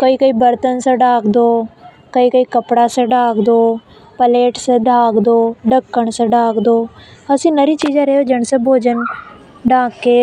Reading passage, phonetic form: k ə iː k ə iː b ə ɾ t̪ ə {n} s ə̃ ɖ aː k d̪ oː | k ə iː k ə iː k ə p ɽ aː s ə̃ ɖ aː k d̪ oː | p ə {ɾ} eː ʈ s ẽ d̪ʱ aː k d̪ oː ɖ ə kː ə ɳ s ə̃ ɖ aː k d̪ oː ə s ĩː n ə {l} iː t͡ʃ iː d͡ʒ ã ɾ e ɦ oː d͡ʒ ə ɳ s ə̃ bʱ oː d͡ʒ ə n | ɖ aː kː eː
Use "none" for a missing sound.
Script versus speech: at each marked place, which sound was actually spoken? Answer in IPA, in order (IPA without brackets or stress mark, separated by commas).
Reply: n, l, ɾ